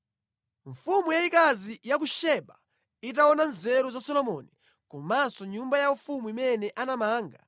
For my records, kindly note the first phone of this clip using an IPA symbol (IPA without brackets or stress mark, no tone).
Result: ɱ